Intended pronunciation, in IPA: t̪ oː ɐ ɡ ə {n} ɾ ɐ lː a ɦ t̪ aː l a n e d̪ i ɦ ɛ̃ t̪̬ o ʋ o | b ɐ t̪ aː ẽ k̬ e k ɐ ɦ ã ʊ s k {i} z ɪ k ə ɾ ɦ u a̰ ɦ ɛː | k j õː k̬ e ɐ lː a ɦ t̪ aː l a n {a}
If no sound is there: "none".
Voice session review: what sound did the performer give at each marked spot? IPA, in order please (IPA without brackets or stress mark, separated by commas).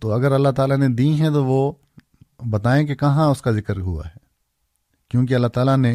none, a, e